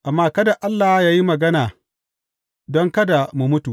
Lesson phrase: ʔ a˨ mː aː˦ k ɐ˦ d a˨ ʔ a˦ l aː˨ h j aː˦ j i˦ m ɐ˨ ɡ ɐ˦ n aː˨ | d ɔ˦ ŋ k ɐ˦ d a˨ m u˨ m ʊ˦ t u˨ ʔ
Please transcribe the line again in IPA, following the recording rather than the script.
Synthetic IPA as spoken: ʔ a˨ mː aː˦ k ɐ˦ d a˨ ʔ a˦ lː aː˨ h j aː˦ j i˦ m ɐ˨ ɡ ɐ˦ n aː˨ | d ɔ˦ ŋ k ɐ˦ d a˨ m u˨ m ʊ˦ t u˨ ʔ

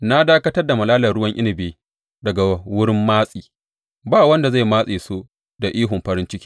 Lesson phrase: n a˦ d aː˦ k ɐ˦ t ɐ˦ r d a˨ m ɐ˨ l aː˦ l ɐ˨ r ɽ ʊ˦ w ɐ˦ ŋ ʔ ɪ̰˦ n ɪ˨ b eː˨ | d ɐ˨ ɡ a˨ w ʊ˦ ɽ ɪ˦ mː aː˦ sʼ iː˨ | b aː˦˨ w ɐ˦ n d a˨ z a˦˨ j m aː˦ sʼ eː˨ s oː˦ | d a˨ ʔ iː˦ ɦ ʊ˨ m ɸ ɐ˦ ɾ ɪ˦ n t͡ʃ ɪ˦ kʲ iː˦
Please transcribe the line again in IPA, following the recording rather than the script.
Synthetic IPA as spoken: n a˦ d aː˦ k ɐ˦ t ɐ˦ r d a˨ m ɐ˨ l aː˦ l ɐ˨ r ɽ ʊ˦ w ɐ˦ ŋ ʔ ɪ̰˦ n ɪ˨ b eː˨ | d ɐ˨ ɡ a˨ w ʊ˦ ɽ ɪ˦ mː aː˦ sʼ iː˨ | b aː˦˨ w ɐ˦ n d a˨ z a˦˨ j m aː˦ sʼ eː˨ s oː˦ | d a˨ ʔ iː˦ ɦ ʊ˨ m ɸ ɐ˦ ɾ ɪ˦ n t͡ʃ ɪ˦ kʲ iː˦

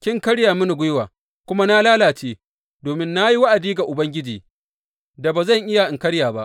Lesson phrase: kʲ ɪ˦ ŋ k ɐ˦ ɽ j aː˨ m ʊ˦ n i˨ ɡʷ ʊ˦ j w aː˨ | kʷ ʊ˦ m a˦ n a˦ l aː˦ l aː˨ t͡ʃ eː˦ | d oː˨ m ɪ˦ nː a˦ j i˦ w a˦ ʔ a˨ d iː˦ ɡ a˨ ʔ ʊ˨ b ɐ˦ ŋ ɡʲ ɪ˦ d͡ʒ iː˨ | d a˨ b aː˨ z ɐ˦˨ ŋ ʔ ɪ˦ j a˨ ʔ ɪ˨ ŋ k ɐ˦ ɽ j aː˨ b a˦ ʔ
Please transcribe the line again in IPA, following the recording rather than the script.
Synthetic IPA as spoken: kʲ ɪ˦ ŋ k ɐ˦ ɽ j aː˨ m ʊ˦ n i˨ ɡʷ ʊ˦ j w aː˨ | kʷ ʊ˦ m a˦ n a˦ l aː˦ l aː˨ t͡ʃ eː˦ | d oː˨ m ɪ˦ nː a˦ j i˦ w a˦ ʔ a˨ d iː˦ ɡ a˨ ʔ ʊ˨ b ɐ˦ ŋ ɡʲ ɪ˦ d͡ʒ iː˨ | d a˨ b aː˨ z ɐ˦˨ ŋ ʔ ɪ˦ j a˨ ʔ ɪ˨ ŋ k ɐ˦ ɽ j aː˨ b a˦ ʔ

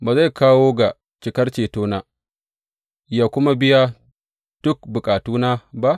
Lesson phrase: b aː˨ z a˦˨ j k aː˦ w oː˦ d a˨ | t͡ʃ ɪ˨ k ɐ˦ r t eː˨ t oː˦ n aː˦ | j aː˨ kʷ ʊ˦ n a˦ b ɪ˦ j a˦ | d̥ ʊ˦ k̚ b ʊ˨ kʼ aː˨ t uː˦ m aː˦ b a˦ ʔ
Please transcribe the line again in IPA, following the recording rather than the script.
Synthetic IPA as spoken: b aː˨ z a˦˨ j k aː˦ w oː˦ ɡ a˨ | t͡ʃ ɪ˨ k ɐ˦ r t͡ʃ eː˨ t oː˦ n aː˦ | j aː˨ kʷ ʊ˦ m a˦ b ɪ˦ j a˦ | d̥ ʊ˦ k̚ b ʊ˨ kʼ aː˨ t uː˦ n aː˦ b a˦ ʔ

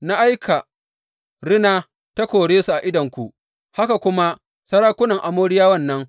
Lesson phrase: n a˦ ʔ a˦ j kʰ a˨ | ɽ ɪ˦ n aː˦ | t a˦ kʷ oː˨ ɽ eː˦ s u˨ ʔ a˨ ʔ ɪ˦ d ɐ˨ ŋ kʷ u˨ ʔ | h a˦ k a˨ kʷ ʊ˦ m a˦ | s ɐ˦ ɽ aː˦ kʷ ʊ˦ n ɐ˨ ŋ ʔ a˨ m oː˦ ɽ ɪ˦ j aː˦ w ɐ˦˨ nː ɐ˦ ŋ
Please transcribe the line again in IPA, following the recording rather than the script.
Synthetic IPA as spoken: n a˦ ʔ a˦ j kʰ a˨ | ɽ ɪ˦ n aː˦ | t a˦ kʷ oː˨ ɽ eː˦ s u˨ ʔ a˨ ʔ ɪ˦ d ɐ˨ ŋ kʷ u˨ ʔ | h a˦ k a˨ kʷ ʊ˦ m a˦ | s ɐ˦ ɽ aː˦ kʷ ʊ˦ n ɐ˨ ŋ ʔ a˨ m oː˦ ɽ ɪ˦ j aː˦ w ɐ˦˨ nː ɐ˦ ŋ

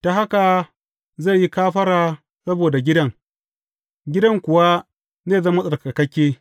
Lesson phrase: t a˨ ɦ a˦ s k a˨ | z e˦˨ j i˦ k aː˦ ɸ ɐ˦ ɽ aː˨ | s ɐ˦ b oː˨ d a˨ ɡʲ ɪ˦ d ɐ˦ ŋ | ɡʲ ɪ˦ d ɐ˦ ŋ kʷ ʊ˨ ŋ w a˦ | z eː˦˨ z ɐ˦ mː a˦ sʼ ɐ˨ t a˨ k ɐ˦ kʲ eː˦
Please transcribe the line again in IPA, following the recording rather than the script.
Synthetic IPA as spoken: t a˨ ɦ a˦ k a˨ | z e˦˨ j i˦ k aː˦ ɸ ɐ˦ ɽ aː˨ | s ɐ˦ b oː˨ d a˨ ɡʲ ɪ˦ d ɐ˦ ŋ | ɡʲ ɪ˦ d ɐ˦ ŋ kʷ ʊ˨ w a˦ | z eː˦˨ z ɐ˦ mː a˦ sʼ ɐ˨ k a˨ k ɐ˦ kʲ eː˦

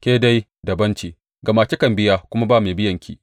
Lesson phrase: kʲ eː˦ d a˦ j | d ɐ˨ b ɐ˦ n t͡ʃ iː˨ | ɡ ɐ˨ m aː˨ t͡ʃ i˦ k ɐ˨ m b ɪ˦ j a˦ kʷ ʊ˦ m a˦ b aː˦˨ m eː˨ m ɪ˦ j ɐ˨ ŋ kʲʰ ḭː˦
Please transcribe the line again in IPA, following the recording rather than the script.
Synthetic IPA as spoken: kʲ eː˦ d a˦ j | d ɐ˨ b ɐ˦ n t͡ʃ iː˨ | ɡ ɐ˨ m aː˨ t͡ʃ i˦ k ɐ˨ m b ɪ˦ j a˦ kʷ ʊ˦ m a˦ b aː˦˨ m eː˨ b ɪ˦ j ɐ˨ ŋ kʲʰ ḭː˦

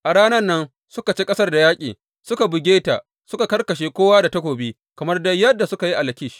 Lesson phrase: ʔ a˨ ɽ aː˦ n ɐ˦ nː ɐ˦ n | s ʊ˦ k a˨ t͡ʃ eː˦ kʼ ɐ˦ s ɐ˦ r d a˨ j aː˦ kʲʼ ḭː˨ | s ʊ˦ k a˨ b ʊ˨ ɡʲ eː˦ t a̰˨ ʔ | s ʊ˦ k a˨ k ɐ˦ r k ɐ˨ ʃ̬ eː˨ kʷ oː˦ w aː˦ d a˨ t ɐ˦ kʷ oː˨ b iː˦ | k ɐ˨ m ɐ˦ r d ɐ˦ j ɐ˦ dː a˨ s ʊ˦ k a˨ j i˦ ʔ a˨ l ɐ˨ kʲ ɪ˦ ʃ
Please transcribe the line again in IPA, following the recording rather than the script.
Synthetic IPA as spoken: ʔ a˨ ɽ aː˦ n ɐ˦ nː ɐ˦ n | s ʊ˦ k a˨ t͡ʃ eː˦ kʼ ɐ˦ s ɐ˦ r d a˨ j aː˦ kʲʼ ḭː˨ | s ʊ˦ k a˨ b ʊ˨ ɡʲ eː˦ t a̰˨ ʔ | s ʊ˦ k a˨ k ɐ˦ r k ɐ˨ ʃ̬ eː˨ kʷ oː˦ w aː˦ d a˨ t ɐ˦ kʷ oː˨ b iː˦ | k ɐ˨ m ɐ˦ r d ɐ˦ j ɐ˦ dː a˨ s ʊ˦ k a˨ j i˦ ʔ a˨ l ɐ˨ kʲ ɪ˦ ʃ

